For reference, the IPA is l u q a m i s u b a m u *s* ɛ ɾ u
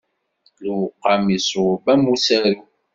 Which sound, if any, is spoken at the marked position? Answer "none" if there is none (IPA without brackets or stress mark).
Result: s